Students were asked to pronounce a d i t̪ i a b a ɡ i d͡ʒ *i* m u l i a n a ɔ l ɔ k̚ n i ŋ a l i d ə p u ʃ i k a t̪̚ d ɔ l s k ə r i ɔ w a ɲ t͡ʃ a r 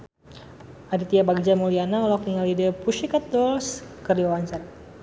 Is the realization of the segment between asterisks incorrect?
yes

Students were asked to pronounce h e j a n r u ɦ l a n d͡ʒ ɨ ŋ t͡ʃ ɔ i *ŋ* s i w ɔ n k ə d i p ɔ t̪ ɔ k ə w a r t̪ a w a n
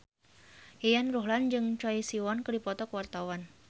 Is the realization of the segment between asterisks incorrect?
yes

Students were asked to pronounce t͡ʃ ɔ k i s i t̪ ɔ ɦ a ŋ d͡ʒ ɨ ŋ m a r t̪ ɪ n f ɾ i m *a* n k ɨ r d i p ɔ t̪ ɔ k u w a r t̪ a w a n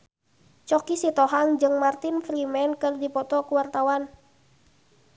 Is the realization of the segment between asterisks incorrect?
yes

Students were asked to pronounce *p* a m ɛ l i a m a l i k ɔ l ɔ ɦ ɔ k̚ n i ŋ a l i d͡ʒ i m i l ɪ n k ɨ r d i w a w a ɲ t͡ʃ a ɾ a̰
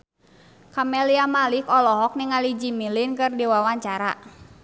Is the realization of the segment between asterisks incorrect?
yes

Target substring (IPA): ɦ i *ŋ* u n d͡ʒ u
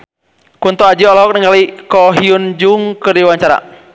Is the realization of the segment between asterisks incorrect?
yes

